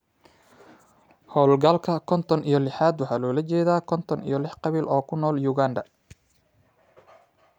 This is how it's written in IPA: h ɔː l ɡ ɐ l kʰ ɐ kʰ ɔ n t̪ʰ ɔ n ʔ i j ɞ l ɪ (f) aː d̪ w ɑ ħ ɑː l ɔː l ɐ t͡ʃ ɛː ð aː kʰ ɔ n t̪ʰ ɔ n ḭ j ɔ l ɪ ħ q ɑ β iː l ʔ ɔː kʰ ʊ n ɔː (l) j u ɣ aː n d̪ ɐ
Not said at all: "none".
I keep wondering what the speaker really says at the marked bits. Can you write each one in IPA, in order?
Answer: ħ, l

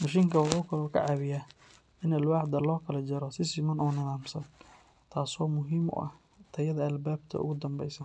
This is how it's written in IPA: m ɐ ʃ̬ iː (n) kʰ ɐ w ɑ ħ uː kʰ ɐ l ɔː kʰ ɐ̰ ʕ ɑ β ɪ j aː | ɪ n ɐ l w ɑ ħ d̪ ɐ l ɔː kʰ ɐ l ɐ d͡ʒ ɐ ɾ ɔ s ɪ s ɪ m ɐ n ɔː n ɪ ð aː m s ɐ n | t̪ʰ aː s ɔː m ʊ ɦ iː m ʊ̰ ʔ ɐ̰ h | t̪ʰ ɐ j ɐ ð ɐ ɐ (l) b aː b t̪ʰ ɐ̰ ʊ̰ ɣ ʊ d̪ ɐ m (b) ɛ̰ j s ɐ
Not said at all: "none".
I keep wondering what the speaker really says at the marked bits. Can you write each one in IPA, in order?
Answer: ŋ, l, b

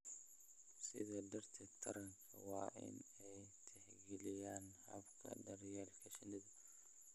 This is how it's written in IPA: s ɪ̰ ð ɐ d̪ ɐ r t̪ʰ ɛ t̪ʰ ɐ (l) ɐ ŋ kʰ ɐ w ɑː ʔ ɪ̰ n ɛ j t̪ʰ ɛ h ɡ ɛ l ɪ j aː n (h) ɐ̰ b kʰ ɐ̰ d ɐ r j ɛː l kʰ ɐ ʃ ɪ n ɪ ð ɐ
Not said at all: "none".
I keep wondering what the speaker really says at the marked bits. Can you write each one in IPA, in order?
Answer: ɾ, h

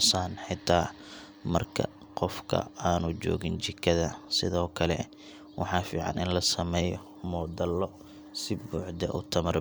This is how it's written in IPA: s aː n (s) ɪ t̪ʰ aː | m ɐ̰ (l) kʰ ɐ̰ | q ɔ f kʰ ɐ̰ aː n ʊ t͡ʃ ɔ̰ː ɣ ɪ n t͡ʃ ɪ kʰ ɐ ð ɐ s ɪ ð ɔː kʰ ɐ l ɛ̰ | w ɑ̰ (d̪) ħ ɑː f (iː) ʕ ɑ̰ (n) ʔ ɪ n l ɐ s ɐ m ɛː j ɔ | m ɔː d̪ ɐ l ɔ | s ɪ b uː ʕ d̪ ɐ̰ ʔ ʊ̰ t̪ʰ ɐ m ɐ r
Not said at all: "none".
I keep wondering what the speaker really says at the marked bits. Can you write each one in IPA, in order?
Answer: ħ, r, none, iː, n

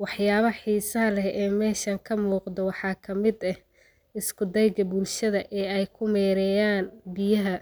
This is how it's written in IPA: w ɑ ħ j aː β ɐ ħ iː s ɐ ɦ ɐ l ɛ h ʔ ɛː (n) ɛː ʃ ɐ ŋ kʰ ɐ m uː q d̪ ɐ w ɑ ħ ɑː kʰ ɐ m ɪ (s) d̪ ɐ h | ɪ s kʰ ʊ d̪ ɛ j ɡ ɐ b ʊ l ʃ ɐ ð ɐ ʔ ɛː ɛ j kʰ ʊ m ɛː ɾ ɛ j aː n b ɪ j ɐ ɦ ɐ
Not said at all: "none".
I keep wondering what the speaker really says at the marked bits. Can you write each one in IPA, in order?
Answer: m, none

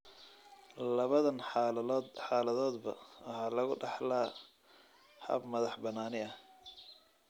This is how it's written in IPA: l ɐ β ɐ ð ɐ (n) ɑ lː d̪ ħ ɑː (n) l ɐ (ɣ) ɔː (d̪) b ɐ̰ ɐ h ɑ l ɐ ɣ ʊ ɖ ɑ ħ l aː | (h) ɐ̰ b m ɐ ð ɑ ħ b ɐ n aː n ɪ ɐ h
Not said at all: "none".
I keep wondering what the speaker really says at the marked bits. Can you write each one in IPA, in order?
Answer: n, none, ð, d̪, h

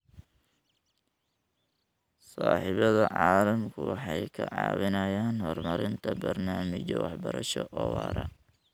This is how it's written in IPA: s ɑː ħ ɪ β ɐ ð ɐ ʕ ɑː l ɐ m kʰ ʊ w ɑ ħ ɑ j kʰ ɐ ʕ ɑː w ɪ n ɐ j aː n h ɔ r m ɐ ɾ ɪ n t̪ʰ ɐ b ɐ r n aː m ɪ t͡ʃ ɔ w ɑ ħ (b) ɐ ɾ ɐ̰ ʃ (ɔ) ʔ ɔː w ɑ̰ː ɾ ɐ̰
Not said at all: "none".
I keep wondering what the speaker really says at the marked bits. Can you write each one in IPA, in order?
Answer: b, ɔ

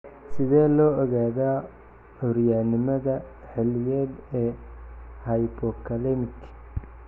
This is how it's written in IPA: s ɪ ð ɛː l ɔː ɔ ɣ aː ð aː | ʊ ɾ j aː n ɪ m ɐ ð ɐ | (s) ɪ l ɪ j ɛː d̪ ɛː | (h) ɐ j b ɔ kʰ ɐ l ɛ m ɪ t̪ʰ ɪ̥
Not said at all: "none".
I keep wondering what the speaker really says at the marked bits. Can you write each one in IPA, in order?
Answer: ħ, h

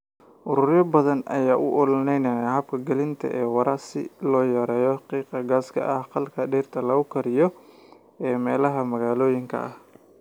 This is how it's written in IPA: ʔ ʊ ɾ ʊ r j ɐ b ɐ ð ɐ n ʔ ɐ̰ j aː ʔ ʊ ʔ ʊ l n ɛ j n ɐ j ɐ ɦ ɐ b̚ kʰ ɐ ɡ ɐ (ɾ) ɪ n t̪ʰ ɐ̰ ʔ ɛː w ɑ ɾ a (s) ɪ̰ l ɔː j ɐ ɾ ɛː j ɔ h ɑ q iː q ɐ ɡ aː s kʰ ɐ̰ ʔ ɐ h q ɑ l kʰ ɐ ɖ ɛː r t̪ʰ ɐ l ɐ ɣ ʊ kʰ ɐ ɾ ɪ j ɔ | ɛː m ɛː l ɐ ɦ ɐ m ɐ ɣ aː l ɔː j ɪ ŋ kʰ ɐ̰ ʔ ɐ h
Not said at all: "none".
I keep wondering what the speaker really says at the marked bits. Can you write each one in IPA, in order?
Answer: l, s

